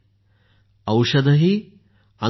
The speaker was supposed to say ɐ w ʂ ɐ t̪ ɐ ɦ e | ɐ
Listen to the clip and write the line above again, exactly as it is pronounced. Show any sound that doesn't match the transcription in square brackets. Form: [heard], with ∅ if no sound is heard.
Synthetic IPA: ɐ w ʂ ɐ [d̪] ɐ ɦ [i] | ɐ